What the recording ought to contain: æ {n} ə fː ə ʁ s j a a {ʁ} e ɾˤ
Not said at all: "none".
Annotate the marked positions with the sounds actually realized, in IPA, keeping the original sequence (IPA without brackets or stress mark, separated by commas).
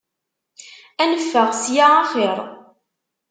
n, χ